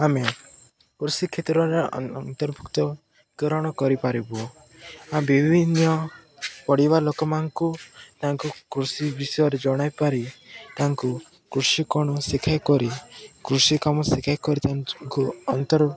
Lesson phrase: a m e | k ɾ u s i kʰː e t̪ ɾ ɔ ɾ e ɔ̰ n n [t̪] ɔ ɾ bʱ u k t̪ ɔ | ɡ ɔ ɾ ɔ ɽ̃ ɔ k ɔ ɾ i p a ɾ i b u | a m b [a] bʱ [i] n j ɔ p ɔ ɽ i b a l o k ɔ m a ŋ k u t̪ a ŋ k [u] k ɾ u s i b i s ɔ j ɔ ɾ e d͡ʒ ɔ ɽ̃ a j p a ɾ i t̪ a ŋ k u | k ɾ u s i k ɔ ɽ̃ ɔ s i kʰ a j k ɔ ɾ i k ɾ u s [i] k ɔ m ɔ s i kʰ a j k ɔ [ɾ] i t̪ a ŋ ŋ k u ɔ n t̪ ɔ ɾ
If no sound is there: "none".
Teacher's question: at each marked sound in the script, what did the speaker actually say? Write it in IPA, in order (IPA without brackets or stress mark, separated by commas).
t̪, i, i, u, i, ɾ